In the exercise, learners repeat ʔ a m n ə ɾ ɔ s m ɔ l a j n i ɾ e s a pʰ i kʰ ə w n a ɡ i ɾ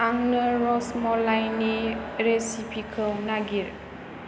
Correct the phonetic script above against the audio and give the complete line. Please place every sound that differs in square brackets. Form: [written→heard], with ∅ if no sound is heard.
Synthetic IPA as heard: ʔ a [m→ŋ] n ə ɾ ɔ s m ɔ l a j n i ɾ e s [a→i] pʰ i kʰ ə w n a ɡ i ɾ